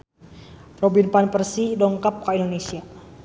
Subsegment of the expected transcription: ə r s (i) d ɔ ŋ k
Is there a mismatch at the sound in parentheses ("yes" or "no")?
no